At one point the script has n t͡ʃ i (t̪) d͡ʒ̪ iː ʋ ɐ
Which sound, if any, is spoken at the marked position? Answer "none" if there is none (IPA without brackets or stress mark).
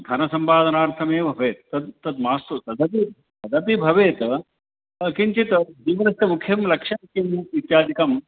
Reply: t̪